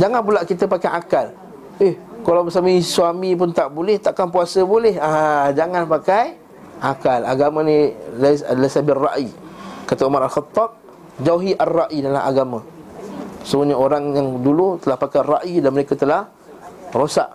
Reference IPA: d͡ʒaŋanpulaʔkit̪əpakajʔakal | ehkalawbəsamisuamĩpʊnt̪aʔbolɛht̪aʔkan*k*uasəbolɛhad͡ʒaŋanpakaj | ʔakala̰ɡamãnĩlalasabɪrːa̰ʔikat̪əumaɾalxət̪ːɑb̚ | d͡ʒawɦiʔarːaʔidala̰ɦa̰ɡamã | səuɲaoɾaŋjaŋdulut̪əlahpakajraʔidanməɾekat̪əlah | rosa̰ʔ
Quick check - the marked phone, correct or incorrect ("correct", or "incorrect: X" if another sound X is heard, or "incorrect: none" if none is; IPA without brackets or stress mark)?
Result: incorrect: p